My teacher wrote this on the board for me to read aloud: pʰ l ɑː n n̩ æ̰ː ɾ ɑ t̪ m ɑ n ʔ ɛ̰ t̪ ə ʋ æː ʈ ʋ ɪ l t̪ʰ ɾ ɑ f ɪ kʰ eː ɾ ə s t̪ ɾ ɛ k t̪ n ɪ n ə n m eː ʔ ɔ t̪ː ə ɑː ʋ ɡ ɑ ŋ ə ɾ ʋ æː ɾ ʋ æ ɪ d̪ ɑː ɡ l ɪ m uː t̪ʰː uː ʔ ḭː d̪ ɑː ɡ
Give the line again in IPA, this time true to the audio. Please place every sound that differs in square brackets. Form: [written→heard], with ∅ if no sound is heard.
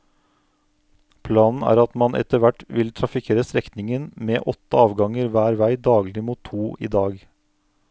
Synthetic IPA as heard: pʰ l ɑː n n̩ æ̰ː ɾ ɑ t̪ m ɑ n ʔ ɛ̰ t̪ ə ʋ [æː→æ] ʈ ʋ ɪ l t̪ʰ ɾ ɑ f ɪ kʰ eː ɾ ə s t̪ ɾ ɛ k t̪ n ɪ [n→ŋ] ə n m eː ʔ ɔ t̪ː ə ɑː ʋ ɡ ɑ ŋ ə ɾ ʋ æː ɾ ʋ æ ɪ d̪ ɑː ɡ l ɪ m uː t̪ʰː uː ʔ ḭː d̪ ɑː ɡ